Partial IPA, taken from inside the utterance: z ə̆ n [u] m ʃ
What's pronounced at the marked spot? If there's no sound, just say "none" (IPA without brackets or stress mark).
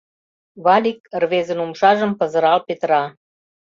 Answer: u